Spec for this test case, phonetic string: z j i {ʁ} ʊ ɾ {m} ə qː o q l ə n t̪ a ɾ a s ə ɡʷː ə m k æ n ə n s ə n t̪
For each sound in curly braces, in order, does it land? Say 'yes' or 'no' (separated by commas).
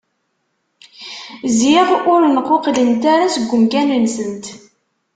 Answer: yes, no